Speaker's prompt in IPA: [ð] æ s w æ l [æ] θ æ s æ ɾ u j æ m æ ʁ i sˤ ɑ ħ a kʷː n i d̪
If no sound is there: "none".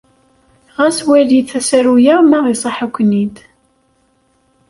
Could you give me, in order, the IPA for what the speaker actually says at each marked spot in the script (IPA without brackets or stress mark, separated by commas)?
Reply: ʁ, i